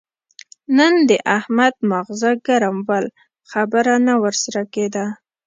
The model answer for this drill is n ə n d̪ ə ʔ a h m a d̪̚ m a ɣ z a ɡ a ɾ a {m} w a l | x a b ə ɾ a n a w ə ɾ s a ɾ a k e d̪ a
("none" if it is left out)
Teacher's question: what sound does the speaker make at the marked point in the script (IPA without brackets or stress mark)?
m